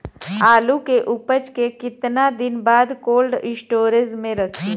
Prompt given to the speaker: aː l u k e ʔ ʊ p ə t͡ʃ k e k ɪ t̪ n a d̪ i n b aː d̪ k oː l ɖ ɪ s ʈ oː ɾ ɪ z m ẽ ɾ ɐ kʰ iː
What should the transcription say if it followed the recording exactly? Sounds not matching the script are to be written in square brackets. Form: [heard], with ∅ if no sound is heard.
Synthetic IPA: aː l u k e ʔ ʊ p ə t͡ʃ k e k ɪ t̪ n a d̪ [ɪ] n b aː d̪ k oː l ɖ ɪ s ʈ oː ɾ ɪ z m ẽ ɾ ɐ kʰ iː